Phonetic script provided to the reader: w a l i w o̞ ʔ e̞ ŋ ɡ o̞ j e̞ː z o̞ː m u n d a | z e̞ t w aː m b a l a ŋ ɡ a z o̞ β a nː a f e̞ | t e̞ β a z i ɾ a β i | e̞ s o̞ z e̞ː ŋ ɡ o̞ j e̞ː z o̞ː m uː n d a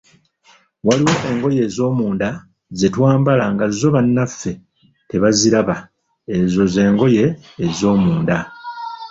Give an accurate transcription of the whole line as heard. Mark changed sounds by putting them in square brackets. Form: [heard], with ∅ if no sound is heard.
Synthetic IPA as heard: w a l i w o̞ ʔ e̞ ŋ ɡ o̞ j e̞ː z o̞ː m [uː] n d a | z e̞ t w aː m b a l a ŋ ɡ a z o̞ β a nː a f e̞ | t e̞ β a z i ɾ a β [a] | e̞ [z] o̞ z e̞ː ŋ ɡ o̞ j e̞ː z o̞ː m uː n d a